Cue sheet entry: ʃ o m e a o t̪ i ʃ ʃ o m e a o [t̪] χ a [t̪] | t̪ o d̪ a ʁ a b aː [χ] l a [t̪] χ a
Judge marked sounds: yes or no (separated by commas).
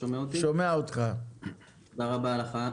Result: yes, no, no, no